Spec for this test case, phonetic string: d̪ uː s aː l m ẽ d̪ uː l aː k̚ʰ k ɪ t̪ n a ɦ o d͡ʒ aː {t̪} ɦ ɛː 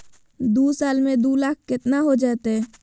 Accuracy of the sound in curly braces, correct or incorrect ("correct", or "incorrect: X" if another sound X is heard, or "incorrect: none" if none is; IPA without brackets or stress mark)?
correct